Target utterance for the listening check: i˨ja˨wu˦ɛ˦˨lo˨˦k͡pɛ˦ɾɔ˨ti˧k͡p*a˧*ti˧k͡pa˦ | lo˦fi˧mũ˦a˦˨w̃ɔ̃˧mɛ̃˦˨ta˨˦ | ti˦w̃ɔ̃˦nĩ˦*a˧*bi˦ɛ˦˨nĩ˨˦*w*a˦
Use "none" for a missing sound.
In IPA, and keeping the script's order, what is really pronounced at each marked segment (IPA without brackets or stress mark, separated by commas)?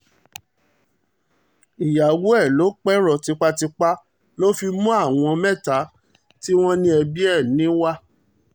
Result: a˧, ɛ˧, w